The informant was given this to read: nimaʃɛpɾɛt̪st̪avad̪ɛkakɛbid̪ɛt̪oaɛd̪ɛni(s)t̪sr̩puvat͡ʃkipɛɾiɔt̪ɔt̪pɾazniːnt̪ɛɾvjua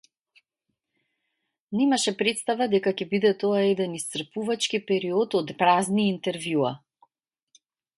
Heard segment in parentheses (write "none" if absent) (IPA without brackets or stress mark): s